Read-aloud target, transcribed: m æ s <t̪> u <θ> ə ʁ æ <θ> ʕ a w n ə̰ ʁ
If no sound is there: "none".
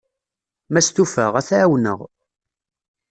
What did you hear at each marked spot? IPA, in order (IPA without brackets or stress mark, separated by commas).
t̪, f, θ